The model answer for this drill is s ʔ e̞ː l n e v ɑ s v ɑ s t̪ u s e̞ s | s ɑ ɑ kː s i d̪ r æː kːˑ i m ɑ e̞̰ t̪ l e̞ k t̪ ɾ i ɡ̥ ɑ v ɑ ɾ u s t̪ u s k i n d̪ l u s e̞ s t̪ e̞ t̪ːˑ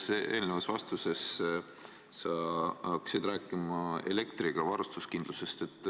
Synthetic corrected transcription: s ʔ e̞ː l n e v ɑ s v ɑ s t̪ u s e̞ s | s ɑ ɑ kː s i d̪ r æː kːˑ i m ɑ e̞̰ l e̞ k t̪ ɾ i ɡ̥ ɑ v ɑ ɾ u s t̪ u s k i n d̪ l u s e̞ s t̪ e̞ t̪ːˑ